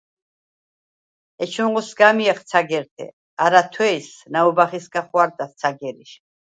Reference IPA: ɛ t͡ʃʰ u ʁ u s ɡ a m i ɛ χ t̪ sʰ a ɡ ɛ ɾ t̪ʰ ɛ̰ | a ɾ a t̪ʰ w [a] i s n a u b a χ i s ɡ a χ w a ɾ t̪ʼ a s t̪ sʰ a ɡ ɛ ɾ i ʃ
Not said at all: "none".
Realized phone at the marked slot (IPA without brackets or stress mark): ɛ